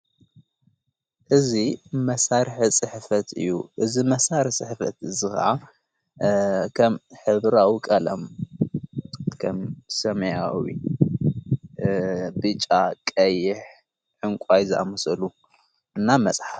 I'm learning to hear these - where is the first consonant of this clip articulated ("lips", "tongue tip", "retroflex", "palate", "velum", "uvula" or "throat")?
throat